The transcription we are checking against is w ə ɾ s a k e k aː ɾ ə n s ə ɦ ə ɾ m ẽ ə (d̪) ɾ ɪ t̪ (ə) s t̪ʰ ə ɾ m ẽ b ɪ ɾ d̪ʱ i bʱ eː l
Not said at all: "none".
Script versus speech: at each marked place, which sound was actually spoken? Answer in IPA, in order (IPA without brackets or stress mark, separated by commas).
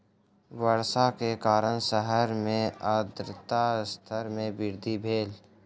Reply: d̪, a